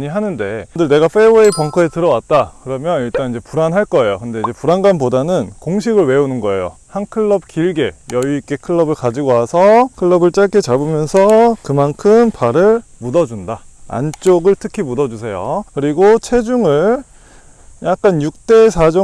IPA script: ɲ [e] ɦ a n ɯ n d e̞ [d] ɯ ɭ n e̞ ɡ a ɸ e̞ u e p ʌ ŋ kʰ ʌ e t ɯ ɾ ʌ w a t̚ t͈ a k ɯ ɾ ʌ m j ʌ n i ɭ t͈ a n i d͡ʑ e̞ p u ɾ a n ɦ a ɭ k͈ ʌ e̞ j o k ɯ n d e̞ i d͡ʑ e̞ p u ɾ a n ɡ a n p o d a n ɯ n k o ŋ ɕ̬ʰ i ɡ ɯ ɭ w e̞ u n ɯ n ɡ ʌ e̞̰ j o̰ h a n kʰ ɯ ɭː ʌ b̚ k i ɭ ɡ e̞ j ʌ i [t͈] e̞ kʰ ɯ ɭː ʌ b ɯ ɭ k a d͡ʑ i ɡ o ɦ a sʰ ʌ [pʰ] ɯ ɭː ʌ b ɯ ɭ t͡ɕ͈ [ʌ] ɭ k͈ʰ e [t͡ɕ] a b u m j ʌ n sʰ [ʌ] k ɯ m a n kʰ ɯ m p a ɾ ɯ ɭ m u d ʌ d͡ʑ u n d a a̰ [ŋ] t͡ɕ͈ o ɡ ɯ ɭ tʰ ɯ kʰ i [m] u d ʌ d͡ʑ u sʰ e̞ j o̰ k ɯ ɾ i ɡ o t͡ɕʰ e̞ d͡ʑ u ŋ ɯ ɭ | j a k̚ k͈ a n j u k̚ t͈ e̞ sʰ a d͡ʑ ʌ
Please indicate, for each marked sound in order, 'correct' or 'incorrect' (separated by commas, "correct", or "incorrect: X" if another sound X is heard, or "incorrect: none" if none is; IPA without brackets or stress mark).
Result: incorrect: i, correct, incorrect: k͈, incorrect: kʰ, incorrect: a, correct, correct, incorrect: n, correct